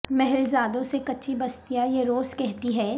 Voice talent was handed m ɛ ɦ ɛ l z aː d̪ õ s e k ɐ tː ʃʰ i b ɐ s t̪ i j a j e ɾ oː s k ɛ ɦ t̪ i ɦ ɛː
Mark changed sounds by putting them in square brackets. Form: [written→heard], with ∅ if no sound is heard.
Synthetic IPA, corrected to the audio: m ɛ ɦ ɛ l z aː d̪ õ s e k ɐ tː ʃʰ i b ɐ s t̪ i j a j e ɾ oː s k ɛ ɦ t̪ i ɦ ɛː